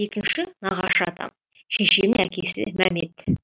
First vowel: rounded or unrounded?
unrounded